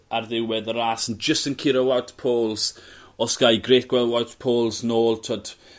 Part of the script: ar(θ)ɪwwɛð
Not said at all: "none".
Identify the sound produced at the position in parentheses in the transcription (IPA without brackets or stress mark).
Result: ð